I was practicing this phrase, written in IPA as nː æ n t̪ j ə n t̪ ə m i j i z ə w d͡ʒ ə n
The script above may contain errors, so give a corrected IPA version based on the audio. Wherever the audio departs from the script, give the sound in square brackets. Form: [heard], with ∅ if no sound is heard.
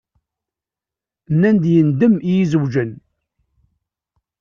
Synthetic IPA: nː æ n [d̪] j ə n [d̪] ə m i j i z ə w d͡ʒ ə n

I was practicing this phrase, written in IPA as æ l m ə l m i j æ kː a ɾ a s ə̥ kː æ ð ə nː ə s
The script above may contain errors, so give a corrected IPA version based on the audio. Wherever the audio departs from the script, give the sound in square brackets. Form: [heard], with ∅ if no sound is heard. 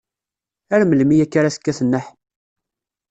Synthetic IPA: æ [ɾ] m ə l m i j æ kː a ɾ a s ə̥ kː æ [θ] ə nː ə [ħ]

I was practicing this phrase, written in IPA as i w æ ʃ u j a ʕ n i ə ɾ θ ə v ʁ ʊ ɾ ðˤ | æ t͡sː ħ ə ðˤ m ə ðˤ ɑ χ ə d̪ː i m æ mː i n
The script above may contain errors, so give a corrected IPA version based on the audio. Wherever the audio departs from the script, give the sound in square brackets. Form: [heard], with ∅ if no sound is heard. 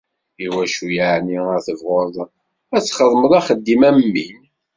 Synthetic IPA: i w æ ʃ u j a ʕ n i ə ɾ θ ə v ʁ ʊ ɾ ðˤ | æ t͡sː [χ] ə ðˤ m ə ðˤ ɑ χ ə d̪ː i m æ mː i n

